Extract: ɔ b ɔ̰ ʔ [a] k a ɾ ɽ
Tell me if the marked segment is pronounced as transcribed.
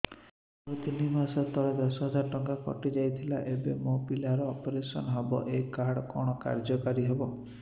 no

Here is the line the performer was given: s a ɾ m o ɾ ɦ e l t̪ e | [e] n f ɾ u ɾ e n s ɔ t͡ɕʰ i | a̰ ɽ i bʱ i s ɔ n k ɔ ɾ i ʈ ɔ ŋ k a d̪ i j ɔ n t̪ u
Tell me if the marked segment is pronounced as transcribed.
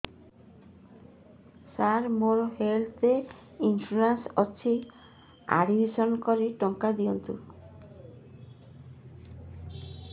no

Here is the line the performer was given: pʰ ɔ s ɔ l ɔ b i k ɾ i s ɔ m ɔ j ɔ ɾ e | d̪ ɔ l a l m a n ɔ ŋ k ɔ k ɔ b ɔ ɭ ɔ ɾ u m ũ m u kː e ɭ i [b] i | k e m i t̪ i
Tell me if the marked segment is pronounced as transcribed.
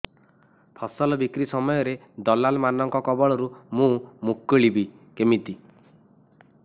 yes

